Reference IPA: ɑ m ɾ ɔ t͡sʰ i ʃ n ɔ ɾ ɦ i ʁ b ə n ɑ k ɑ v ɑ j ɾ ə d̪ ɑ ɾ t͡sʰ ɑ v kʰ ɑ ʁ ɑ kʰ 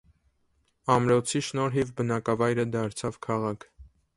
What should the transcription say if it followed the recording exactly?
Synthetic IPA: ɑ m ɾ ɔ t͡sʰ i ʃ n ɔ ɾ ɦ i v b ə n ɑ k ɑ v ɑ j ɾ ə d̪ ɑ ɾ t͡sʰ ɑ v kʰ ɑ ʁ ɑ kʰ